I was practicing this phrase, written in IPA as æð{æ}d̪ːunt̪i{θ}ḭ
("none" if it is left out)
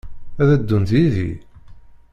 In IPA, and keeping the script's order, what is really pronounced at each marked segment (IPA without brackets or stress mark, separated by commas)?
æ, ð